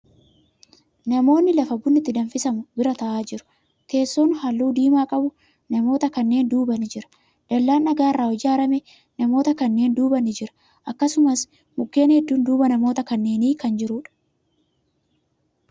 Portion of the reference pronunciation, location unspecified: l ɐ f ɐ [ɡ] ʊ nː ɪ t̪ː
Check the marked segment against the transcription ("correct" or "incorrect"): incorrect